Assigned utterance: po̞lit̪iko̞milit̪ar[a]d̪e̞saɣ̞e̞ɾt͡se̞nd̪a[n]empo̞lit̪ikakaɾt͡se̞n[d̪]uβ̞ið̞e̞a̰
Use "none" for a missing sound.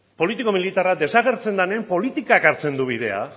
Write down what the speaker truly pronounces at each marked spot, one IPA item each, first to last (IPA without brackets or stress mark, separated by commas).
a, n, d̪